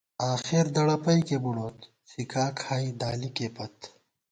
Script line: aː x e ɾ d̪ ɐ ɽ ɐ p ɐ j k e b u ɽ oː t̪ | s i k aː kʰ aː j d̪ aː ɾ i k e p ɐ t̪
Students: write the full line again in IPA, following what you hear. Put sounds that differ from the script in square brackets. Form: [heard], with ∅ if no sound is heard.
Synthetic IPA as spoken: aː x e ɾ d̪ ɐ ɽ ɐ p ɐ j k e b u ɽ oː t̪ | s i k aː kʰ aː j d̪ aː [l] i k e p ɐ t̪